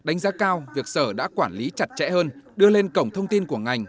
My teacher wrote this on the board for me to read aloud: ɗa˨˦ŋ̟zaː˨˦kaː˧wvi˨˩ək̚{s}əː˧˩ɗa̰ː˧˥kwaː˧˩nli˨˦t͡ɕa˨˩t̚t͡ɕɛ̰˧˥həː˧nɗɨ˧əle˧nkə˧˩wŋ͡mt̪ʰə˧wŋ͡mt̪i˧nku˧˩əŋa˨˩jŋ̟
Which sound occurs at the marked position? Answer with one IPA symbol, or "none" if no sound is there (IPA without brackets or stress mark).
s